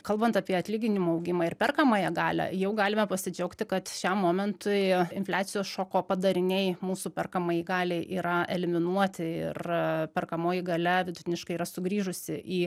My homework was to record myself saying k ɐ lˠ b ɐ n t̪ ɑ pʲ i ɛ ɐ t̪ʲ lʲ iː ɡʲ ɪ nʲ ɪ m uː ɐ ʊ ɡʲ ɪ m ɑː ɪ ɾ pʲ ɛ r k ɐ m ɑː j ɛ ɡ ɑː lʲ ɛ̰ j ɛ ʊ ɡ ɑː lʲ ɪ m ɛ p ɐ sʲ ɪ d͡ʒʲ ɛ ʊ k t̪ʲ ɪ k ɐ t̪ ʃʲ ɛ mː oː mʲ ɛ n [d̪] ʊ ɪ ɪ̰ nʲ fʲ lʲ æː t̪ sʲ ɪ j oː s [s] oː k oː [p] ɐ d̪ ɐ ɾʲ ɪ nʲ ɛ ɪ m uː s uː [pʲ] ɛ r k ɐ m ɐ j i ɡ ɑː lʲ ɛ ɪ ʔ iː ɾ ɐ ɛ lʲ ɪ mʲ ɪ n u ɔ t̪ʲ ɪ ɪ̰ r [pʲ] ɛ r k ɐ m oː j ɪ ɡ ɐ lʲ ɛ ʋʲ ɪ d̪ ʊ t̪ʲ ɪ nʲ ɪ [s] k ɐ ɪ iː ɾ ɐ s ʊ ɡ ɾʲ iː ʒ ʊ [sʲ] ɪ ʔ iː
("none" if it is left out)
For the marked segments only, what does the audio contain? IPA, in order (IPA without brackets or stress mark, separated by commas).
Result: t̪, ʃ, p, pʲ, pʲ, ʃ, sʲ